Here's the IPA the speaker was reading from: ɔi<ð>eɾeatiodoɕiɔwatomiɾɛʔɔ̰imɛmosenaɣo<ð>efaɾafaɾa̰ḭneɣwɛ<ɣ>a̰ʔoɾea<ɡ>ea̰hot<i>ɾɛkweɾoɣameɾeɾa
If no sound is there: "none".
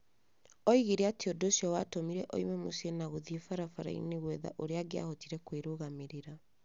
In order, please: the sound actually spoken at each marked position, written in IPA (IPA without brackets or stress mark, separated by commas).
ɣ, ð, ð, ɡ, i